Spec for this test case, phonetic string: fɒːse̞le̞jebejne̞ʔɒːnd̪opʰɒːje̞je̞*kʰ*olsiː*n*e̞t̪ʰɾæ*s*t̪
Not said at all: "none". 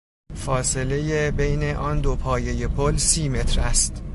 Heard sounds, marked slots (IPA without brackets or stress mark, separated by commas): pʰ, m, s